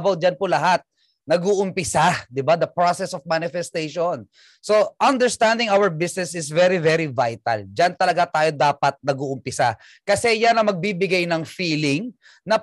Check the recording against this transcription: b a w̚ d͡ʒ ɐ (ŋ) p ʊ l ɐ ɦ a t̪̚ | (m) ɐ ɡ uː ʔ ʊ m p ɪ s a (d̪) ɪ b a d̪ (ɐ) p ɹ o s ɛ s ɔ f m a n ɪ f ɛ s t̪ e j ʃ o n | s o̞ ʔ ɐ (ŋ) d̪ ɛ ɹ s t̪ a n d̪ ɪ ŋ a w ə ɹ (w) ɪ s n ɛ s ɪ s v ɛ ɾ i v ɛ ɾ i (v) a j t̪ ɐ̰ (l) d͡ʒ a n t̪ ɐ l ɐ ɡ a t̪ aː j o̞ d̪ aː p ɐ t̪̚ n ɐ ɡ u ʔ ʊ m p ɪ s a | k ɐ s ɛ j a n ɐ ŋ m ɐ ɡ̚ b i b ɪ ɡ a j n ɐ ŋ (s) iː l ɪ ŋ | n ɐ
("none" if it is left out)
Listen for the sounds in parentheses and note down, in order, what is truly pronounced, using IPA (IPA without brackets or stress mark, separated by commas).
n, n, d̪, ɐ, n, b, v, l, f